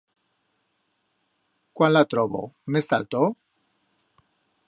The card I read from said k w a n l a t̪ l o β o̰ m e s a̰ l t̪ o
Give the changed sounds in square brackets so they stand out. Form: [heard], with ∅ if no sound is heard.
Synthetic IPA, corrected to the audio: k w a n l a t̪ [ɾ] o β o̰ m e s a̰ l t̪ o